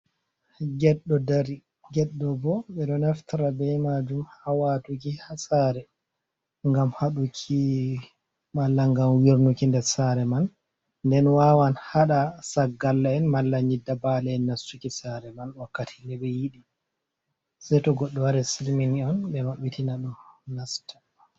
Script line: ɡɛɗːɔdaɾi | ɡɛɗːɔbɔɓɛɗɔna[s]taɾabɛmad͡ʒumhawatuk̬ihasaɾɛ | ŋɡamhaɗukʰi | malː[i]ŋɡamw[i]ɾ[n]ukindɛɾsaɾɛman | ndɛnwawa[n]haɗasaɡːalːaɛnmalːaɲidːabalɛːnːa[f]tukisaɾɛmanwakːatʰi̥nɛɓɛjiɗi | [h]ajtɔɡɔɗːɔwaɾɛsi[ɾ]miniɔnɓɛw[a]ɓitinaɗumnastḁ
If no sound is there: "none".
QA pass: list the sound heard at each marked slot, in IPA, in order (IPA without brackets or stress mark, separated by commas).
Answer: f, a, i, n, n, s, s, l, a